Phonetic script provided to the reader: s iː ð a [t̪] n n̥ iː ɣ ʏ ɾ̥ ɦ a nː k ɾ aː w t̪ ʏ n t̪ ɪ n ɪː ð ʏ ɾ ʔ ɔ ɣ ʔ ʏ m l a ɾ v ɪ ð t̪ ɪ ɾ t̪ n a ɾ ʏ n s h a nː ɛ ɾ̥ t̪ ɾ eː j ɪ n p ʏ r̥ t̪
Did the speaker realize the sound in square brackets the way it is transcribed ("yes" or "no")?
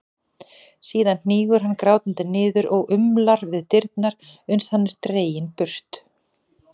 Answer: no